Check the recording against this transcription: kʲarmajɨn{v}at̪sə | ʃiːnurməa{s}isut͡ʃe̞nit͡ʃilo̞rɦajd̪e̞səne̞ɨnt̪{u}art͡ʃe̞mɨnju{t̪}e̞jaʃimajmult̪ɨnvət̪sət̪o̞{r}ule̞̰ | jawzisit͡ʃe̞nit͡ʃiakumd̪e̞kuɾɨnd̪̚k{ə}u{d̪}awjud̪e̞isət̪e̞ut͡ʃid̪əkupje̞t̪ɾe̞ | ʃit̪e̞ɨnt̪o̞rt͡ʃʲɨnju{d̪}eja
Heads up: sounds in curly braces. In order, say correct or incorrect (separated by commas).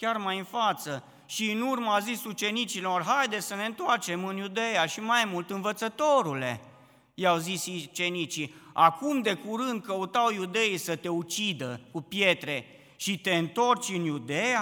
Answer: incorrect, incorrect, incorrect, incorrect, incorrect, correct, incorrect, correct